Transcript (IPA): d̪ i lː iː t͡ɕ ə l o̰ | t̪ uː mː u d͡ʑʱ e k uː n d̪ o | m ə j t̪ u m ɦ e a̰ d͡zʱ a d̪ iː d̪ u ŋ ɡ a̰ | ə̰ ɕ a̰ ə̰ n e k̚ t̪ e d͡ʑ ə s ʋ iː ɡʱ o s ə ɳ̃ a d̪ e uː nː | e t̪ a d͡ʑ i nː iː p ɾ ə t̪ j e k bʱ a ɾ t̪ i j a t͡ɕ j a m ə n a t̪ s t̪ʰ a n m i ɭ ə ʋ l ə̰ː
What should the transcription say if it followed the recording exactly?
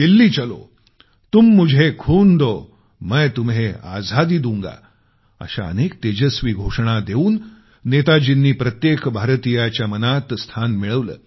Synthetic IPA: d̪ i lː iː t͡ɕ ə l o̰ | t̪ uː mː u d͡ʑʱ e kʰ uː n d̪ o | m ə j t̪ u m ɦ e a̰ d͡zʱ a d̪ iː d̪ u ŋ ɡ a̰ | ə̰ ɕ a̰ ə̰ n e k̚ t̪ e d͡ʑ ə s ʋ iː ɡʱ o ʂ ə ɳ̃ a d̪ e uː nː | e t̪ a d͡ʑ i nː iː p ɾ ə t̪ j e k bʱ a ɾ t̪ i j a t͡ɕ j a m ə n a t̪ s t̪ʰ a n m i ɭ ə ʋ l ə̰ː